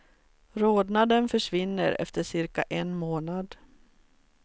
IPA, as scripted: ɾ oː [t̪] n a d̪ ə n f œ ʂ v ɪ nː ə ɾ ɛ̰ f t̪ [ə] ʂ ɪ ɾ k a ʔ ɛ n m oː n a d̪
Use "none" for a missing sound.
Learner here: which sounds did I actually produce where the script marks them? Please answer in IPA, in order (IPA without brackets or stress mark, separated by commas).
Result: d̪, ə